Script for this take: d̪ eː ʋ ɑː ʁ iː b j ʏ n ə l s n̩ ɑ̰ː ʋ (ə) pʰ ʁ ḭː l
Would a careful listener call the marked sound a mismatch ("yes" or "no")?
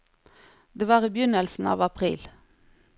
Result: yes